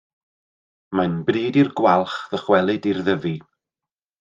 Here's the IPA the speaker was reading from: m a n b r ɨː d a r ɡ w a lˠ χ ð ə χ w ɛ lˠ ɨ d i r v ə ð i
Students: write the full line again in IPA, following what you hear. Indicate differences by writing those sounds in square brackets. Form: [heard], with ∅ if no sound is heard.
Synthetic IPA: m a n b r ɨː d [i] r ɡ w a lˠ χ ð ə χ w ɛ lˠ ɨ d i r [ð] ə [v] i